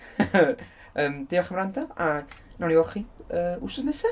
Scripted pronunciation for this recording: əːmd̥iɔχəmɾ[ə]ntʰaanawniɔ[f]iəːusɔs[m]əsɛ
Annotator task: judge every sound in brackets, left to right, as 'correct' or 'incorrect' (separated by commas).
incorrect, incorrect, incorrect